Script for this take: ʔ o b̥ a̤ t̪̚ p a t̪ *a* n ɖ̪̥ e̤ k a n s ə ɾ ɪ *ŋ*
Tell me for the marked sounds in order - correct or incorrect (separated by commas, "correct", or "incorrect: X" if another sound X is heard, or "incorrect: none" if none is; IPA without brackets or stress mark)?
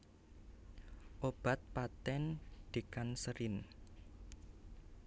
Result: incorrect: ɛ, incorrect: n